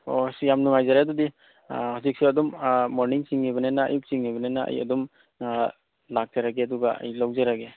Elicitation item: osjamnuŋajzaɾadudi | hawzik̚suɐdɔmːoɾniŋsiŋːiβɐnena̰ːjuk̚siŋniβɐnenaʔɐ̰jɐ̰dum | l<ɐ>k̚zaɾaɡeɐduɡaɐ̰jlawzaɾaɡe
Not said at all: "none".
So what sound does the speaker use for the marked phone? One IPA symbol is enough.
a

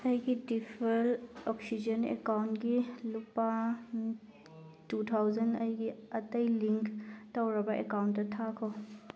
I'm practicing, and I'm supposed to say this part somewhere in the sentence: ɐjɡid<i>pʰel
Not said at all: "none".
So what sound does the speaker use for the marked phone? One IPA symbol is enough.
i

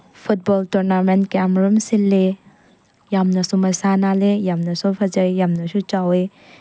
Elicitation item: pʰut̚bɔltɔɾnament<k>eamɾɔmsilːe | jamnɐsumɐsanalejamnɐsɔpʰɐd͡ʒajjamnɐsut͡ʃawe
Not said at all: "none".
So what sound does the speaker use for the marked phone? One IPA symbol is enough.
k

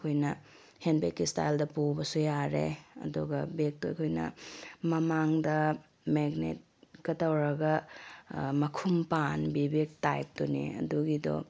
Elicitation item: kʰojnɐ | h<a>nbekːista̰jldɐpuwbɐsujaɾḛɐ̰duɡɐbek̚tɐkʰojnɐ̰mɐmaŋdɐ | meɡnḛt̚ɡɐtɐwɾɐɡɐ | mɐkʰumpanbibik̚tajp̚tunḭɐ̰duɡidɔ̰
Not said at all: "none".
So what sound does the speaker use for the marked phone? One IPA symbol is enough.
e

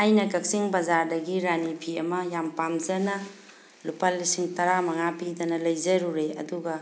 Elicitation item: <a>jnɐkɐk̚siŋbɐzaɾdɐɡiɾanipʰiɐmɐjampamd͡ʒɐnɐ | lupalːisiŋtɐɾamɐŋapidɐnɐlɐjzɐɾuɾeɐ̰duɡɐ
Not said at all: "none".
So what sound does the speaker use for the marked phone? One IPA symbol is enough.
a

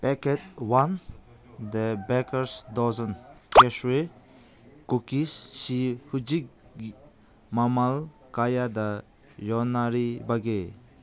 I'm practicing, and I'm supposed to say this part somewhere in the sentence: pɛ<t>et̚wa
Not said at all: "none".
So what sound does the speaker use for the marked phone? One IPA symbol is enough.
k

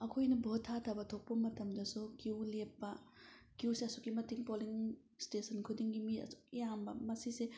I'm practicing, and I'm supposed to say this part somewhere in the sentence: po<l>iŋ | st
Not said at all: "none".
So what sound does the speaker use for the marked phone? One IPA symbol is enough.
l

